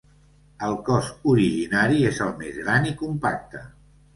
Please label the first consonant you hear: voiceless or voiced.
voiced